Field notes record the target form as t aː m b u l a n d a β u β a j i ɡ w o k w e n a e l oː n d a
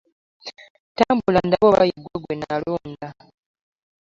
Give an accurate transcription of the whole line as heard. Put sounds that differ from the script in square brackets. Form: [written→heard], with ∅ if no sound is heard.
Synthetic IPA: t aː m b u l a n d a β [u→o] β a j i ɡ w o [k→ɡ] w e n a [e→a] l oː n d a